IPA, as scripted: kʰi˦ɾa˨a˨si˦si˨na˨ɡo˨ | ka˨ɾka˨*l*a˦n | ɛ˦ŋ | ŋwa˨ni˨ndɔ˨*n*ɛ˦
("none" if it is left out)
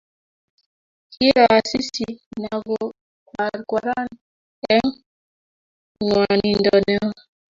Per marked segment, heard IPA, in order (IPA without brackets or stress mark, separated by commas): ɾ, n